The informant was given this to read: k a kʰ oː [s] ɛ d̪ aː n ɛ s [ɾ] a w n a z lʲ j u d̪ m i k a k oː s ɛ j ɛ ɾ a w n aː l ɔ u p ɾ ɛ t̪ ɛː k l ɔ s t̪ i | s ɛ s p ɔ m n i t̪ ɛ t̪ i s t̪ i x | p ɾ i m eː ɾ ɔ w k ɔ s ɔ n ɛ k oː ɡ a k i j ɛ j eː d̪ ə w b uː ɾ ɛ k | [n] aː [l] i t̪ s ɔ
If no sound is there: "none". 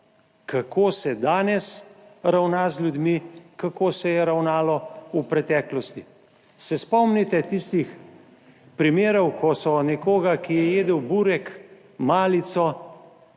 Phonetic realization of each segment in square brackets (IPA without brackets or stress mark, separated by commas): s, ɾ, m, l